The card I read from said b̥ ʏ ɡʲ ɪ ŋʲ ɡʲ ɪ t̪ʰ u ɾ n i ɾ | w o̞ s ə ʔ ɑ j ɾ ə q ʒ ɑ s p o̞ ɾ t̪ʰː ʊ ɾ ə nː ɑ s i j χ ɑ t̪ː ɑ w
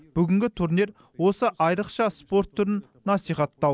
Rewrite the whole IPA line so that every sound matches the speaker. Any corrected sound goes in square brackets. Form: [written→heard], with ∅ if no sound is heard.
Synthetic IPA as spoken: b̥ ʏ ɡʲ ɪ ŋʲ ɡʲ ɪ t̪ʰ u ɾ n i ɾ | w o̞ s ə ʔ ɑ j ɾ ə q [ʒ→ʃ] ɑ s p o̞ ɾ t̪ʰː ʊ ɾ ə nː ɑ s i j χ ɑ t̪ː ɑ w